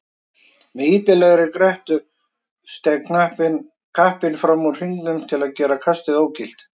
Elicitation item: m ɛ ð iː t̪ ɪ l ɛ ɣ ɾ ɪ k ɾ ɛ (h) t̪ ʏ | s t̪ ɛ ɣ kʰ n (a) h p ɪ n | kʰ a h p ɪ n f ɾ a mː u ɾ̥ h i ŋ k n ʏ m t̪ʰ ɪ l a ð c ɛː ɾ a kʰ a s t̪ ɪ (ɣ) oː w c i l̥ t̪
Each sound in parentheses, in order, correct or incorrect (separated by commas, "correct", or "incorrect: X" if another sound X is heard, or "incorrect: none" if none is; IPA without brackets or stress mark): correct, correct, incorrect: ð